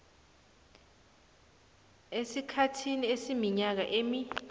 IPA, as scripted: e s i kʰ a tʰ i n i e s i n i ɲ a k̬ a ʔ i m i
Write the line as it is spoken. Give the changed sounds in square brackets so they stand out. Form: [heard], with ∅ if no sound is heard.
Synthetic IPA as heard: e s i kʰ a tʰ i n i e s i [m] i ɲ a k̬ a ʔ [e] m i